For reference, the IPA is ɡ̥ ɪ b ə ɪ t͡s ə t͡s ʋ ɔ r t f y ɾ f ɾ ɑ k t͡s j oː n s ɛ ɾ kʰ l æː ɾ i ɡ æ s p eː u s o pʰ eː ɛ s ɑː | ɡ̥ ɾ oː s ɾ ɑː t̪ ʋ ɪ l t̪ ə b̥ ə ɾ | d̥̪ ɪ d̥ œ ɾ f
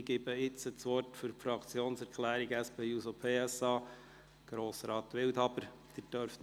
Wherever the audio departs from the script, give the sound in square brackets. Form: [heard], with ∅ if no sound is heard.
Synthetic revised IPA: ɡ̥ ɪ b ə ɪ t͡s ə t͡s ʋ ɔ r t f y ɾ f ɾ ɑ k t͡s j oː n s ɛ ɾ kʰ l æː ɾ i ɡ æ s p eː u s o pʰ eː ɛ s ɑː | ɡ̥ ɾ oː s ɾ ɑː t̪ ʋ ɪ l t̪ [ɑ] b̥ ə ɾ | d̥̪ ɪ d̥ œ ɾ f

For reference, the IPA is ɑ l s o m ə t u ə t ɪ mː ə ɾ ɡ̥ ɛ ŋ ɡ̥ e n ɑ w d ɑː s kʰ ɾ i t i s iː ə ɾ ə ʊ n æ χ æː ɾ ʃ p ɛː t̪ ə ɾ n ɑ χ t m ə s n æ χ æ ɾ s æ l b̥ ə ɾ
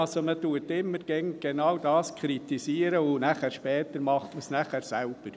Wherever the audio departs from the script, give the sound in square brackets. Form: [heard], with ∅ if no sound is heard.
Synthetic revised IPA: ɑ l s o m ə t u ə t ɪ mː ə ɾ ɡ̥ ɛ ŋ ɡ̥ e n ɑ w d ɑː s kʰ ɾ i t i s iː ə ɾ ə ʊ n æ χ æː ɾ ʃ p ɛː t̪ ə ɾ [m] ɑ χ t m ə s n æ χ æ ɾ s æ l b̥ ə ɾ

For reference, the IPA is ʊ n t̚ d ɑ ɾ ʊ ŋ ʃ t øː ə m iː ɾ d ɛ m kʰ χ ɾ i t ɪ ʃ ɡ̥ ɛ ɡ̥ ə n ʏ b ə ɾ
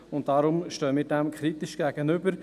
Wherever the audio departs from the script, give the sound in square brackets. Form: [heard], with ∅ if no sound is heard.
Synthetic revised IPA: ʊ n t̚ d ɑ ɾ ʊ [m] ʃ t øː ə m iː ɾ d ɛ m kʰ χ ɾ i t ɪ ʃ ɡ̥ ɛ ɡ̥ ə n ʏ b ə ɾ

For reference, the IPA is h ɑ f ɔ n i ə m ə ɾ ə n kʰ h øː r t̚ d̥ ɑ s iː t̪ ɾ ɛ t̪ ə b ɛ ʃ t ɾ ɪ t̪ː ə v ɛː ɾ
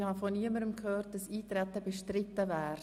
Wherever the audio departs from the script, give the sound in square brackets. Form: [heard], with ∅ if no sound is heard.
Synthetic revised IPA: h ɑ f ɔ n i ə m ə ɾ ə [m] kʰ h øː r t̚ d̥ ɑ s iː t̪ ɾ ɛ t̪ ə b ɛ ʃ t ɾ ɪ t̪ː ə v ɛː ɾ

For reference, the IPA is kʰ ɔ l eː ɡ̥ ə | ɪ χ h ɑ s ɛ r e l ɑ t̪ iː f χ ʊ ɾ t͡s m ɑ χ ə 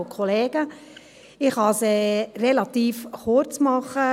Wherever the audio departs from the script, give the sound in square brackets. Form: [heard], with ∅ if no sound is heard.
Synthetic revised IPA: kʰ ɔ l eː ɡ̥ ə | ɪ χ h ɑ s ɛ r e l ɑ t̪ iː f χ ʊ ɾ t͡s m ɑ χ ə

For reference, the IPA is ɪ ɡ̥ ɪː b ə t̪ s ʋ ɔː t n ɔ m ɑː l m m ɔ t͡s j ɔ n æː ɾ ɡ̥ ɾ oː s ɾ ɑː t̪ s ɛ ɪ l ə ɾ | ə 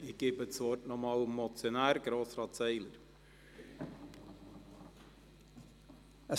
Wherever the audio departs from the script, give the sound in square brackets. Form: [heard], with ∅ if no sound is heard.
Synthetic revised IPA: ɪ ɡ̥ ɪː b ə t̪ s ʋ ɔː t n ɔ m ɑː l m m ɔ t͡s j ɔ n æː ɾ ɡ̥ ɾ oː s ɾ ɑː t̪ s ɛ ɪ l ə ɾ | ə

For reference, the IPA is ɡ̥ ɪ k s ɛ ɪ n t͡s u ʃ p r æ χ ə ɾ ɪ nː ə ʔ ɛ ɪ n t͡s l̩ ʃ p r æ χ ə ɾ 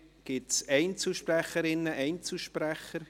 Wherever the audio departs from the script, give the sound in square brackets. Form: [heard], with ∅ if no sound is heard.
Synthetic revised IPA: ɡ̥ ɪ [t] s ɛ ɪ n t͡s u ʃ p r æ χ ə ɾ ɪ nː ə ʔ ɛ ɪ n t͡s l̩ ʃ p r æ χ ə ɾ

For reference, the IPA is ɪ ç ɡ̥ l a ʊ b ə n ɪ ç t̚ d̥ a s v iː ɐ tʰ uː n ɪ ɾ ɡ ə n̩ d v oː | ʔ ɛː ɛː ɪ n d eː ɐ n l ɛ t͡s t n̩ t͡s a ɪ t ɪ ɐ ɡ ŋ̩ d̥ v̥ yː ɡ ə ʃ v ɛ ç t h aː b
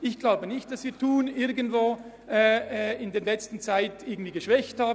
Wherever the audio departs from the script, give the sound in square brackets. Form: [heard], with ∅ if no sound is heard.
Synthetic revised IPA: ɪ ç ɡ̥ l a ʊ b ə n ɪ ç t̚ d̥ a s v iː ɐ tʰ uː n ɪ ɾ ɡ ə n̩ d v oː | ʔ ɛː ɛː ɪ n d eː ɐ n l ɛ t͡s t n̩ t͡s a ɪ t ɪ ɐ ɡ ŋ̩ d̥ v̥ [iː] ɡ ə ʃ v ɛ ç t h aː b

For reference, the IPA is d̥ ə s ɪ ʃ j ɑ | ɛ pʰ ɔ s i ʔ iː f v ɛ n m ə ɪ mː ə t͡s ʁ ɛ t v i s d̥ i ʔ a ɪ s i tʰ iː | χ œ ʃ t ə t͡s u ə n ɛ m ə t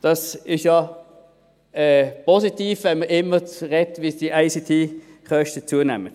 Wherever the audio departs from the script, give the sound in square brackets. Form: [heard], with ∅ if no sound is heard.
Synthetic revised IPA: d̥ [ɑ] s ɪ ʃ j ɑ | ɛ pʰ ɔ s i [t] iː f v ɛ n m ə ɪ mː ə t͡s ʁ ɛ t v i s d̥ i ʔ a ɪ s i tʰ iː | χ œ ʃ t ə t͡s u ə n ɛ m ə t

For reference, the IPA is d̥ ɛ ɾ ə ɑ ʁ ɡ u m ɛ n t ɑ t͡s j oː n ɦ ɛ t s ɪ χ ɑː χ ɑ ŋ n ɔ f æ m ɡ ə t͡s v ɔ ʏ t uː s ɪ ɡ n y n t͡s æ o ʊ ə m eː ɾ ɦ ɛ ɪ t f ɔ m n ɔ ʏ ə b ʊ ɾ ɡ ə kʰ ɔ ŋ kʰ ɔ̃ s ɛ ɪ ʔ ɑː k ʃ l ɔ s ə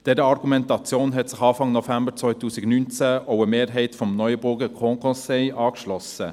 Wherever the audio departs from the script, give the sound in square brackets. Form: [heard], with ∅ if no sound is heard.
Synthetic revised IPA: d̥ ɛ ɾ ə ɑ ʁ ɡ u m ɛ n t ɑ t͡s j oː n ɦ ɛ t s ɪ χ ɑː [f] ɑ ŋ n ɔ f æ m [b] ə t͡s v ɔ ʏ t uː s ɪ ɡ n y n t͡s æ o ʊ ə m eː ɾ ɦ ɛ ɪ t f ɔ m n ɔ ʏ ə b ʊ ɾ ɡ ə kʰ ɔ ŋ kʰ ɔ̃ s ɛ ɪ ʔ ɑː k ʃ l ɔ s ə

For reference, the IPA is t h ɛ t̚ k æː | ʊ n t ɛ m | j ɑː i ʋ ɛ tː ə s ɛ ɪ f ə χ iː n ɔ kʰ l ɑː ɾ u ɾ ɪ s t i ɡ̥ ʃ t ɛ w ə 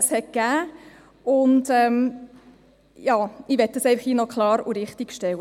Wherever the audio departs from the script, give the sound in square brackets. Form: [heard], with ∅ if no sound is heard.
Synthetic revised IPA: [s] h ɛ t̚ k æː | ʊ n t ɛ m | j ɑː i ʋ ɛ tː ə s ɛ ɪ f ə χ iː n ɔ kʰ l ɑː ɾ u ɾ ɪ [χ] t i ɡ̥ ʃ t ɛ w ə

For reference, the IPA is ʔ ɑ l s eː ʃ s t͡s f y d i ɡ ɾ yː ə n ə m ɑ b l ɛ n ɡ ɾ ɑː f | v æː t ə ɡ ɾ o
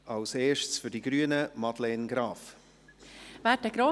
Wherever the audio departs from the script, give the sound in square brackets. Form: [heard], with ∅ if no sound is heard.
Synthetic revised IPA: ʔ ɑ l s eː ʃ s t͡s f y d i ɡ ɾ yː ə n ə m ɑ [d] l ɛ n ɡ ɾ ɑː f | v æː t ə ɡ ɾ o

